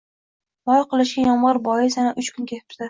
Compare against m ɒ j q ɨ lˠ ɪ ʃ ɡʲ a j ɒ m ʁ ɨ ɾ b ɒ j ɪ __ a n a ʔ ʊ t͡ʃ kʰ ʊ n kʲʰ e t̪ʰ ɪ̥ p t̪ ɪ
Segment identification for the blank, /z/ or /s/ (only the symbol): s